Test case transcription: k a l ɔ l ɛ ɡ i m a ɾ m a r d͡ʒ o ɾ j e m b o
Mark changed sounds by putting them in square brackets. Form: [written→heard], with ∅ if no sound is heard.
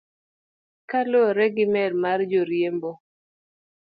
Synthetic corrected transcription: k a l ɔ [l→ɾ] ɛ ɡ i m [a→ɛ] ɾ m a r d͡ʒ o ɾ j e m b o